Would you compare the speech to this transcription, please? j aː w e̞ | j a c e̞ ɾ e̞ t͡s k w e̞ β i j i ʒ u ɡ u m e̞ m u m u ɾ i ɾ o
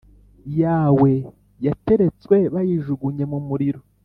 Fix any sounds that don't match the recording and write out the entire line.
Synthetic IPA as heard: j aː w e̞ | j a t e̞ ɾ e̞ t͡s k w e̞ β a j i ʒ u ɡ u ɲ e̞ m u m u ɾ i ɾ o